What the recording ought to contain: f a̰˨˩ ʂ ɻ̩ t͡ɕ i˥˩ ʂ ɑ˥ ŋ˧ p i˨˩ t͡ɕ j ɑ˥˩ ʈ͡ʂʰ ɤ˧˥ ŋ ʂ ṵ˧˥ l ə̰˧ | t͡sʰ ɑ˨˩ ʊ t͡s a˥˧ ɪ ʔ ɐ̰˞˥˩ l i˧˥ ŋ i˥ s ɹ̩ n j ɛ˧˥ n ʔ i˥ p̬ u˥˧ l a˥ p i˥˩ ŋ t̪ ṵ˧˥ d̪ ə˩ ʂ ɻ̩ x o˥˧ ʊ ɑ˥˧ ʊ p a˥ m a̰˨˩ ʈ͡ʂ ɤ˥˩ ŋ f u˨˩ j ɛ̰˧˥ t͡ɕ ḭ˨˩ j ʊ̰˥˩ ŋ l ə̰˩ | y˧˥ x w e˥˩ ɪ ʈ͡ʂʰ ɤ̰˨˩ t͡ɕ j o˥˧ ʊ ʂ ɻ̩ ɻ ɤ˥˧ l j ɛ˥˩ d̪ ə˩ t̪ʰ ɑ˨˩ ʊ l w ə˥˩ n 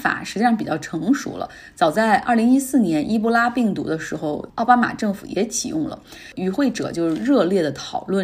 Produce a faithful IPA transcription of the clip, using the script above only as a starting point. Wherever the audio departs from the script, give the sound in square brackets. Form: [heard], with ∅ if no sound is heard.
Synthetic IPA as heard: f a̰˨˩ ʂ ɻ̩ t͡ɕ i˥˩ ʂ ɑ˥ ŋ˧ p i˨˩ t͡ɕ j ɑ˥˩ ʈ͡ʂʰ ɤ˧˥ ŋ ʂ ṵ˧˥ l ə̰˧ | [t͡s] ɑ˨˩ ʊ t͡s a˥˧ ɪ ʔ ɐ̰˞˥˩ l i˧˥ ŋ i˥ s ɹ̩ n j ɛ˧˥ n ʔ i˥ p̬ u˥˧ l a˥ p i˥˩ ŋ t̪ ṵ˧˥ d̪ [ə˧] ʂ ɻ̩ x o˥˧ ʊ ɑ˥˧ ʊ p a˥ m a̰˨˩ ʈ͡ʂ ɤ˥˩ ŋ f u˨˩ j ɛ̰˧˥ [t͡ɕʰ] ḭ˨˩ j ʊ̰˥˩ ŋ l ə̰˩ | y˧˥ x w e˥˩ ɪ [ʈ͡ʂ] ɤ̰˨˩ t͡ɕ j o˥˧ ʊ ʂ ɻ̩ ɻ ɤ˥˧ l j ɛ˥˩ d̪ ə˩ t̪ʰ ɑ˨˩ ʊ l w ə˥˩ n